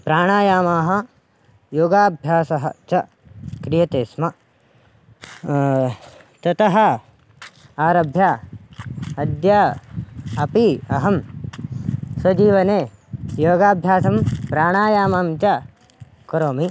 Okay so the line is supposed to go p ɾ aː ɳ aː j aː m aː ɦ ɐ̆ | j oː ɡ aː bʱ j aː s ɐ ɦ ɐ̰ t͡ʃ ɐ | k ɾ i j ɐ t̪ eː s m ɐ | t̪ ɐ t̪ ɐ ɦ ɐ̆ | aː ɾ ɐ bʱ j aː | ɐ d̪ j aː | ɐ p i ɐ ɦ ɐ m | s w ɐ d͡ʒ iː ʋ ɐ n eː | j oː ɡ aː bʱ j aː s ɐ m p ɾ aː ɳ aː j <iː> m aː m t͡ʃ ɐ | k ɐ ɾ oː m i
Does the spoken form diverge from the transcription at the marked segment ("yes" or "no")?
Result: yes